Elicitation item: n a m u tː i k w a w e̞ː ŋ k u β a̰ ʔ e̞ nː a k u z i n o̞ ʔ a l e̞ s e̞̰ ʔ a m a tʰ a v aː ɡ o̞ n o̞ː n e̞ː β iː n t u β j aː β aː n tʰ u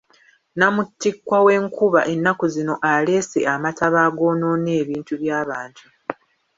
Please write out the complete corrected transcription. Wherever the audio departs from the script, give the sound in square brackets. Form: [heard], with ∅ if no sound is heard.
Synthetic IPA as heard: n a m u tː i k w a w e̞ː ŋ k u β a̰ ʔ e̞ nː a k u z i n o̞ ʔ a l e̞ s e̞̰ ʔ a m a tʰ a [β] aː ɡ o̞ n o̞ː n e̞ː β iː n t u β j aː β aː n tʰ u